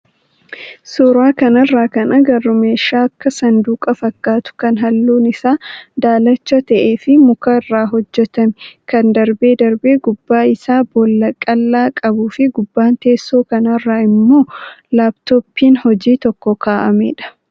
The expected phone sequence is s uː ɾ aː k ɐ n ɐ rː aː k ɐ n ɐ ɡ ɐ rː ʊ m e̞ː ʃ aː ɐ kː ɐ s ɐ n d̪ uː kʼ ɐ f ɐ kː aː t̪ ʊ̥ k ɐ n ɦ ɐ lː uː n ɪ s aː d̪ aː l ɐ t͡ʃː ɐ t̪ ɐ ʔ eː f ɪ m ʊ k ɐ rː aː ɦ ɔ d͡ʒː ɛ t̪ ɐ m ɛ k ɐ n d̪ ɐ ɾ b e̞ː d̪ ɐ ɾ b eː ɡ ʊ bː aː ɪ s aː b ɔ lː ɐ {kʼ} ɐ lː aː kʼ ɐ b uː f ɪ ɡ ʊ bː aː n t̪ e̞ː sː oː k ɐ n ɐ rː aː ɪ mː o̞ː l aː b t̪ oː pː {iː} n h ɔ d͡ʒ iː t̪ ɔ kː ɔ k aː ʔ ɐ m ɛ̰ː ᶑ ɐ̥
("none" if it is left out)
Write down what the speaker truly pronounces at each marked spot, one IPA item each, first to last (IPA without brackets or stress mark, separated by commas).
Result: kʼ, iː